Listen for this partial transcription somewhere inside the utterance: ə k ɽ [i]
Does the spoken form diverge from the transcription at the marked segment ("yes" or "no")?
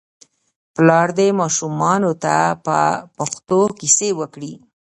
no